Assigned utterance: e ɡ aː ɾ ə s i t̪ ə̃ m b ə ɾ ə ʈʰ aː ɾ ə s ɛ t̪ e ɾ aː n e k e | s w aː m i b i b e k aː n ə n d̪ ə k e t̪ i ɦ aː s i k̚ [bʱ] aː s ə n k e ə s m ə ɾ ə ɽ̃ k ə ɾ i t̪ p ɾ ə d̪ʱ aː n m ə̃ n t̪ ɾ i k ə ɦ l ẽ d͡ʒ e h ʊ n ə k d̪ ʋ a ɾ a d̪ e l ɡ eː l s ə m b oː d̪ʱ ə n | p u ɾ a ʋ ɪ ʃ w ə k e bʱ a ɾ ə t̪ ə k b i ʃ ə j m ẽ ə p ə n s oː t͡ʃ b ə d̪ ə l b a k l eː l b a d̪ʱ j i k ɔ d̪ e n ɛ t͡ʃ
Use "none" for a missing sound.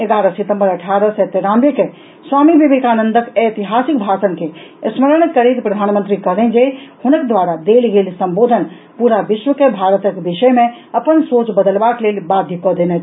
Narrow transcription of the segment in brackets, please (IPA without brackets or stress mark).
bʱ